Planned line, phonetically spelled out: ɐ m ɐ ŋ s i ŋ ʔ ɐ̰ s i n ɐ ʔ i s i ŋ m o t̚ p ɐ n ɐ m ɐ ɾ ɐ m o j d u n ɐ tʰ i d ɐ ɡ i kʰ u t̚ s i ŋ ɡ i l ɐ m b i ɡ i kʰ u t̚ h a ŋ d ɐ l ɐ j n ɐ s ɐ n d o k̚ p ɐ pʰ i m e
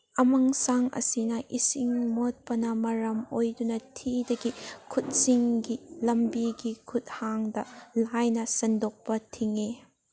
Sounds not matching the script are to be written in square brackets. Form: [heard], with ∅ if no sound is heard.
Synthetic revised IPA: ɐ m ɐ ŋ s [a] ŋ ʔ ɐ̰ s i n ɐ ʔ i s i ŋ m o t̚ p ɐ n ɐ m ɐ ɾ ɐ m o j d u n ɐ tʰ i d ɐ ɡ i kʰ u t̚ s i ŋ ɡ i l ɐ m b i ɡ i kʰ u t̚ h a ŋ d ɐ l [a] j n ɐ s ɐ n d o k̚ p ɐ [tʰ] i [ŋ] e